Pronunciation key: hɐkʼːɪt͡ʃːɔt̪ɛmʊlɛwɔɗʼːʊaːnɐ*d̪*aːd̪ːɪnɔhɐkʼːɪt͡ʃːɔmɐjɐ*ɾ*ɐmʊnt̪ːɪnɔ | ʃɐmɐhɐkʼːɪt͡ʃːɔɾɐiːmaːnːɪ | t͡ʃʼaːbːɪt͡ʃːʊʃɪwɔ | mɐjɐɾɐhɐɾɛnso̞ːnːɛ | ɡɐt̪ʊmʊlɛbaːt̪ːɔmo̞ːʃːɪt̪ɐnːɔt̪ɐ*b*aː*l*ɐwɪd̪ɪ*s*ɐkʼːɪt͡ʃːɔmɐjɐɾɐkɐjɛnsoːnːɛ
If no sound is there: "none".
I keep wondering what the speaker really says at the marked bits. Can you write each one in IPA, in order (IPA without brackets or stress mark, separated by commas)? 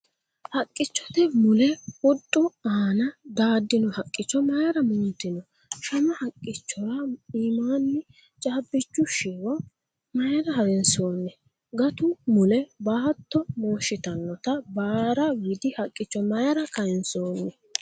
d̪, ɾ, b, ɾ, h